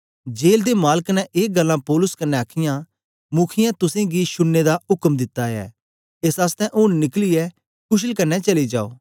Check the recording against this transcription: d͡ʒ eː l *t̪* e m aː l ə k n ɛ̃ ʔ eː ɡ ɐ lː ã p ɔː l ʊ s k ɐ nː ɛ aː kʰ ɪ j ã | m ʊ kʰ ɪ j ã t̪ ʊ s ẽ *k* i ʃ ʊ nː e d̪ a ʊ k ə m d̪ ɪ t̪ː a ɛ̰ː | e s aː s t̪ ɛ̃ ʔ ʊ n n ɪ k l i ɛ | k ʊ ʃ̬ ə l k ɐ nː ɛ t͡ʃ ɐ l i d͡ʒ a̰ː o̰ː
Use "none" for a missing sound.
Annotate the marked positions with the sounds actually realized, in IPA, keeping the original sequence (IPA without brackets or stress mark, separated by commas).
d̪, ɡ